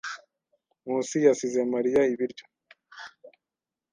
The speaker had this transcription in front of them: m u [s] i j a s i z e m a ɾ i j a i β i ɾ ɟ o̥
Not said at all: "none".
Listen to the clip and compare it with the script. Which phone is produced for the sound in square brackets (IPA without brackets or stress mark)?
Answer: s